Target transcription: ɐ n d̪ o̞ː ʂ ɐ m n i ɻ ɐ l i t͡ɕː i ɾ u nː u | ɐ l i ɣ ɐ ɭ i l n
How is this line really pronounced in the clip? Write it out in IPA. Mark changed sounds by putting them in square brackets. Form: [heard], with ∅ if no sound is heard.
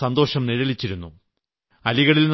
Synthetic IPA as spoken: ɐ n d̪ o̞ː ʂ ɐ m n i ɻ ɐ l i t͡ɕː i ɾ u nː u | ɐ l i ɣ ɐ ɭ i l n